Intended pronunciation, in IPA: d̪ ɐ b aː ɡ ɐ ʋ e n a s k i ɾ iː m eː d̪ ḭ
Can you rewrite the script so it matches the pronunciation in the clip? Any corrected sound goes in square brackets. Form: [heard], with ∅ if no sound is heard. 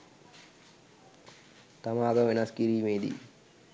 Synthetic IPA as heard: [t̪] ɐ [m] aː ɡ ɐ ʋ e n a s k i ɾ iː m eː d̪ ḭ